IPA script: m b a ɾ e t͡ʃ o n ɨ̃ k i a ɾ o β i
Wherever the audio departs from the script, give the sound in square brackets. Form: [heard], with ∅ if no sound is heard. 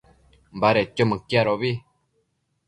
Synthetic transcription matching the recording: m b a ɾ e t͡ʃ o [m] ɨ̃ k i a ɾ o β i